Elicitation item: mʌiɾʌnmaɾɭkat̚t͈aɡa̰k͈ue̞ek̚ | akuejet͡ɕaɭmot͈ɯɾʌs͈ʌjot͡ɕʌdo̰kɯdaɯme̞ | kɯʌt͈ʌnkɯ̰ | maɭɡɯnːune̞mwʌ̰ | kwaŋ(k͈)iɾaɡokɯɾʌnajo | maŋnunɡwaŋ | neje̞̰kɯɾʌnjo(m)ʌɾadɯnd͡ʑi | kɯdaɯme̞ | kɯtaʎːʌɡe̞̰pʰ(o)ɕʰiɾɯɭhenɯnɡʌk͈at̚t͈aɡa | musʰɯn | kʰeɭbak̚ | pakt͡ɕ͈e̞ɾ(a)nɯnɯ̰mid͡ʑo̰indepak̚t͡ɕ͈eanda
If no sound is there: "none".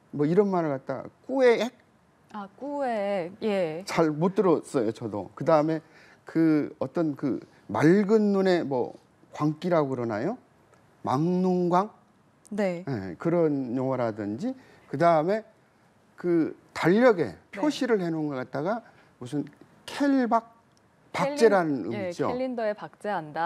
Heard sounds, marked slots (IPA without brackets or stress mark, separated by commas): k͈, ŋ, o, a